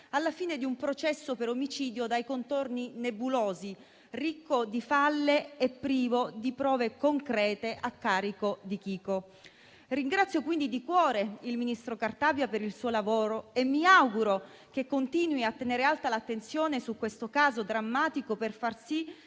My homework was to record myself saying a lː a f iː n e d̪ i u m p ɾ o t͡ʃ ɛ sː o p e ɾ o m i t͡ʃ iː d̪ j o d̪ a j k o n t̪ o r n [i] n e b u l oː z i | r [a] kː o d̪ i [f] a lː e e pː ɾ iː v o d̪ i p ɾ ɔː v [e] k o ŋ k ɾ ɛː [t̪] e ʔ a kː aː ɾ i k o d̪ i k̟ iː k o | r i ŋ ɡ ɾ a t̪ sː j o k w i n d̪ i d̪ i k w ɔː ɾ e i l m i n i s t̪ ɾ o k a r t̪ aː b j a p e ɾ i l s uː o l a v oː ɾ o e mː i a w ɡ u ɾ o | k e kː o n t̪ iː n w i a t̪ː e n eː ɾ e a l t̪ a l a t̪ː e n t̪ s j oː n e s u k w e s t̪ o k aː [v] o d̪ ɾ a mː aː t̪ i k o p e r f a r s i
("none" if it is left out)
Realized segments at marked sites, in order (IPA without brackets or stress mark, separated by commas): i, i, f, e, t̪, z